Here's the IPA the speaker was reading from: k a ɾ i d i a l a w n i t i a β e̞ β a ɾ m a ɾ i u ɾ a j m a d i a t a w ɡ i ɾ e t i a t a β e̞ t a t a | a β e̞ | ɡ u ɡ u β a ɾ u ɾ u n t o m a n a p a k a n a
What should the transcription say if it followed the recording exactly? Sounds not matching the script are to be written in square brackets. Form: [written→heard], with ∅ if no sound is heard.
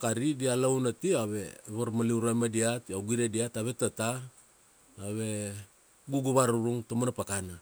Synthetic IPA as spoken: k a ɾ i d i a l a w n [i→a] t i a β e̞ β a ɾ m a [ɾ→l] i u ɾ a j m a d i a t a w ɡ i ɾ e [t→d] i a t a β e̞ t a t a | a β e̞ | ɡ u ɡ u β a ɾ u ɾ u [n→ŋ] t o m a n a p a k a n a